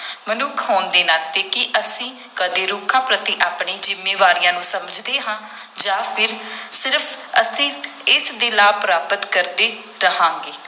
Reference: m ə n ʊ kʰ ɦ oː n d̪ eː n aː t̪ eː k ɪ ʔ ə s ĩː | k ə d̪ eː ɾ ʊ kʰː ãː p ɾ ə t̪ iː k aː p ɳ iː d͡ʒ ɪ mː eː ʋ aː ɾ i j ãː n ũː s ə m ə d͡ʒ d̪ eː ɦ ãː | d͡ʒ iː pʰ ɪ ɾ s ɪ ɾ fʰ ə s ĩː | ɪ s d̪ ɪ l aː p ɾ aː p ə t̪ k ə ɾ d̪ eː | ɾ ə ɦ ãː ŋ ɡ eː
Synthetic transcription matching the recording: m ə n ʊ kʰ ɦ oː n d̪ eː n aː t̪ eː k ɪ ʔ ə s ĩː | k ə d̪ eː ɾ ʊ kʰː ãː p ɾ ə t̪ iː ʔ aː p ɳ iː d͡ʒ ɪ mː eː ʋ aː ɾ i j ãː n ũː s ə m ə d͡ʒ d̪ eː ɦ ãː | d͡ʒ aː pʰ ɪ ɾ s ɪ ɾ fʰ ə s ĩː | ɪ s d̪ ɪ l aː p ɾ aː p ə t̪ k ə ɾ d̪ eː | ɾ ə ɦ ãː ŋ ɡ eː